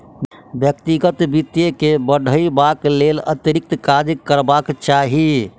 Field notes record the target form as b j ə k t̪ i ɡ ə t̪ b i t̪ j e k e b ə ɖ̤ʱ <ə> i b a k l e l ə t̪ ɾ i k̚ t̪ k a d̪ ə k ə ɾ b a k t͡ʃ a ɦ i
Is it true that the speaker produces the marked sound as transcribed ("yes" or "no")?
yes